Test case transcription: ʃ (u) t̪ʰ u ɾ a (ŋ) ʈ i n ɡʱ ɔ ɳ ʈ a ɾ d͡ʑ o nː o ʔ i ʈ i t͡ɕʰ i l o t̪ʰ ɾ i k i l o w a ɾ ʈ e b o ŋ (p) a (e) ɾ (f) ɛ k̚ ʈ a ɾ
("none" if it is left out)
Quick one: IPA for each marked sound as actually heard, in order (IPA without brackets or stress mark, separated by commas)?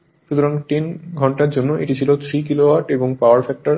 u, ŋ, p, a, f